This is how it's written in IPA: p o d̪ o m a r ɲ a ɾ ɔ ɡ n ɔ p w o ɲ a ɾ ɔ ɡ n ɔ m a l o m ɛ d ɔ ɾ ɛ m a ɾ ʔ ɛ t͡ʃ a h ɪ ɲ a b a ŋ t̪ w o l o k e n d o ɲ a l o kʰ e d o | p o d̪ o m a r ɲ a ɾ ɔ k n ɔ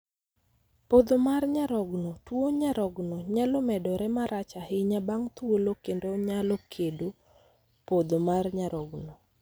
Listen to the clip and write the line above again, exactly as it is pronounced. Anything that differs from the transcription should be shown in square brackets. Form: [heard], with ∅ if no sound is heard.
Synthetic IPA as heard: p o d̪ o m a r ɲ a ɾ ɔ ɡ n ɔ [t] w o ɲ a ɾ ɔ ɡ n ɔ [ɲ] a l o m ɛ d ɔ ɾ ɛ m a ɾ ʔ [a] t͡ʃ a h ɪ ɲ a b a ŋ t̪ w o l o k e n d o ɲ a l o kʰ e d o | p o d̪ o m a r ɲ a ɾ ɔ [ɡ] n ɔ